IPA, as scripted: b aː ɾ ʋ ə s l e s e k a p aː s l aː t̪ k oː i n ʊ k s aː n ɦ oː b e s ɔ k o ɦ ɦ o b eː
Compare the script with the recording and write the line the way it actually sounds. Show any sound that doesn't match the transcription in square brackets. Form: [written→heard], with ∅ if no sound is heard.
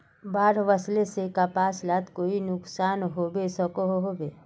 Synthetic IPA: b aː ɾ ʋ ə s l e s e k a p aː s l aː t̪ k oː i n ʊ k s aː n ɦ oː b e s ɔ k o ɦ ɦ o b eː